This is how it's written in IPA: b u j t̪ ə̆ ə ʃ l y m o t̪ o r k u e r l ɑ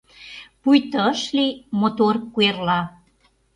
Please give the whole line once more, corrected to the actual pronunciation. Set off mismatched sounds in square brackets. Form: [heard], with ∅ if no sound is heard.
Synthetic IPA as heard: [p] u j t̪ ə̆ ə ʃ l [i] m o t̪ o r k u e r l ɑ